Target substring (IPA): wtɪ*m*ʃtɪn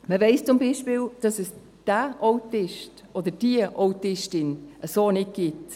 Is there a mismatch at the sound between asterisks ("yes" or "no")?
yes